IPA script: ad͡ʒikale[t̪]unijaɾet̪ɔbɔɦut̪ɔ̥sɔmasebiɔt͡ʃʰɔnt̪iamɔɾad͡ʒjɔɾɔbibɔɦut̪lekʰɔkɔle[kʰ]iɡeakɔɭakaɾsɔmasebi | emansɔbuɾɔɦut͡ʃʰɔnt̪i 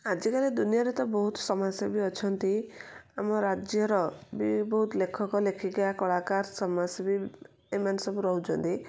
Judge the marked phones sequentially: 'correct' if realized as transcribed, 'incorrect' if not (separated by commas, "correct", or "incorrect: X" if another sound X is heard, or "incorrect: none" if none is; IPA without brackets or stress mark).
incorrect: d̪, correct